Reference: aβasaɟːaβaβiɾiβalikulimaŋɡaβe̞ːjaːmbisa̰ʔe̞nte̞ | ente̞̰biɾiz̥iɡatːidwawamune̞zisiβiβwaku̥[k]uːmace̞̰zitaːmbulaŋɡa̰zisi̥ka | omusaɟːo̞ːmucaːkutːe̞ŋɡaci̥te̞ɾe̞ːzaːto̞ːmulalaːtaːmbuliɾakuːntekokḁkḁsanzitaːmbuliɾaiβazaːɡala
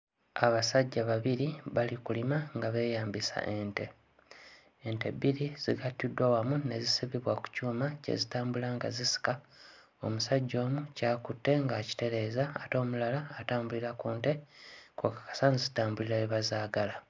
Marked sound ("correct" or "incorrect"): incorrect